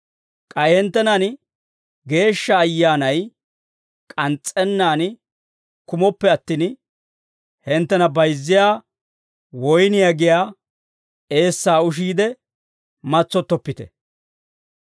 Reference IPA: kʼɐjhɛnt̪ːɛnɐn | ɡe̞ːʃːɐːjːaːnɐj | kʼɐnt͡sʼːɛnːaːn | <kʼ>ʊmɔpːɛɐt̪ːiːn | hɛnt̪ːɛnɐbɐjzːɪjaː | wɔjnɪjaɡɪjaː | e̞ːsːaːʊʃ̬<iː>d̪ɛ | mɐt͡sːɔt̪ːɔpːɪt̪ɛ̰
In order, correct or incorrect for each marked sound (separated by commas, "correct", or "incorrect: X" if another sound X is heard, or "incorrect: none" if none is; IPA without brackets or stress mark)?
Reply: incorrect: k, correct